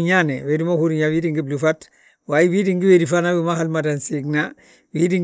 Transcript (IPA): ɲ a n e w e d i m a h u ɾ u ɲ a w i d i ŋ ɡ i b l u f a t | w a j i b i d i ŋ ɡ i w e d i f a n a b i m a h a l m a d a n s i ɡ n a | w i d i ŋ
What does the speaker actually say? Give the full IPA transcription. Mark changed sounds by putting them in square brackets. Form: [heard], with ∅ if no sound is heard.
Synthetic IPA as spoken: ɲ a n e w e d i m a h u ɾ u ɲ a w i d i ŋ ɡ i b l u f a t | w a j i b i d i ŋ ɡ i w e d i f a n a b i m a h a l m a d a n s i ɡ n a | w i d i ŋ